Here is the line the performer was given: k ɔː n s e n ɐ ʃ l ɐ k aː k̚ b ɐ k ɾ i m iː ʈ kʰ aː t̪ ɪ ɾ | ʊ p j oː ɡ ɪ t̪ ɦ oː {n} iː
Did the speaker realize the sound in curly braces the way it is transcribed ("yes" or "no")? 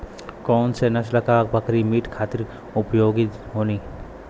yes